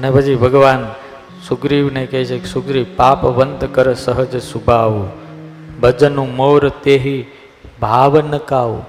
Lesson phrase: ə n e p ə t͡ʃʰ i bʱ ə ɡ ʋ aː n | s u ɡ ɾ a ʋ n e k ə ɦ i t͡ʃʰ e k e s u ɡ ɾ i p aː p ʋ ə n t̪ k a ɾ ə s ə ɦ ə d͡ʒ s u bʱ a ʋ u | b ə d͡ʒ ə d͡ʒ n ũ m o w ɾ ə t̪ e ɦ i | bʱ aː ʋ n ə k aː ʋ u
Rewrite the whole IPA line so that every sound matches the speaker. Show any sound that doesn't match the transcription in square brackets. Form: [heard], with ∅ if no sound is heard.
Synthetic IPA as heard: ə n e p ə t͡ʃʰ i bʱ ə ɡ ʋ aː n | s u ɡ ɾ [i] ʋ n e k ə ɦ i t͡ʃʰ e k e s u ɡ ɾ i p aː p ʋ ə n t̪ k [ə] ɾ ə s ə ɦ ə d͡ʒ s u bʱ a ʋ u | b ə d͡ʒ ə [∅] n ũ m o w ɾ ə t̪ e ɦ i | bʱ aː ʋ n ə k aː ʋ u